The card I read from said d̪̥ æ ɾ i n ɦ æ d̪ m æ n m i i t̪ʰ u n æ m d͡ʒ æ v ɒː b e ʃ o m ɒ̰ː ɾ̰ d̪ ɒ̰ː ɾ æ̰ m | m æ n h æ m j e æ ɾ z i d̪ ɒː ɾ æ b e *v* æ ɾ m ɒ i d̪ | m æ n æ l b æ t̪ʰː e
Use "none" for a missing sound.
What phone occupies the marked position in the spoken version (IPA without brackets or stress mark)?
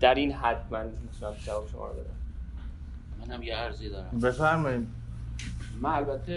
f